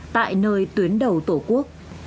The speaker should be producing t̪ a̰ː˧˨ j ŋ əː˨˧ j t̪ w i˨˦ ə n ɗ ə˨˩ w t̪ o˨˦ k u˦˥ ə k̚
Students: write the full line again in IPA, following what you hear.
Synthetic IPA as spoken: t̪ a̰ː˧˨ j n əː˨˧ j t̪ w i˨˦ ə n ɗ ə˨˩ w t̪ o˧˩ k u˦˥ ə k̚